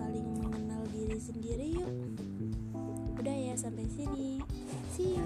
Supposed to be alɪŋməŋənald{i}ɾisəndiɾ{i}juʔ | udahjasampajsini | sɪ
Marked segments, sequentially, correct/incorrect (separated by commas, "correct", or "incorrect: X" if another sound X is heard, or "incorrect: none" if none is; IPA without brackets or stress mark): correct, correct